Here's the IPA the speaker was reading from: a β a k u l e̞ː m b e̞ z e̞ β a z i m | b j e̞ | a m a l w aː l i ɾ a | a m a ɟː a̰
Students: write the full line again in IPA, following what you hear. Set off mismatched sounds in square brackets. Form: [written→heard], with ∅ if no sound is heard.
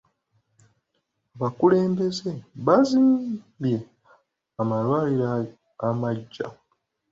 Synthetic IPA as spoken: a β a k u l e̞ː m b e̞ z e̞ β a z i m | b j e̞ | a m a l w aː l i ɾ a | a m a ɟː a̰